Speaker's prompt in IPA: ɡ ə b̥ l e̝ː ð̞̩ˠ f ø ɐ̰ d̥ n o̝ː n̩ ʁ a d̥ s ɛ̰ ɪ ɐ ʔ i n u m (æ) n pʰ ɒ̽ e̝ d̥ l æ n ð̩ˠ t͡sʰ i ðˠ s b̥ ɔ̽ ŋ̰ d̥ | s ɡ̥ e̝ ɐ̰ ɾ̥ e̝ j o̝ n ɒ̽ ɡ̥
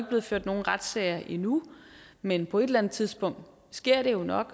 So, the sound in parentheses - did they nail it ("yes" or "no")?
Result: no